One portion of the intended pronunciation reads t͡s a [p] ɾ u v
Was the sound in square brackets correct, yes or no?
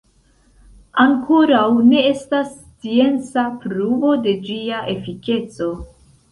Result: yes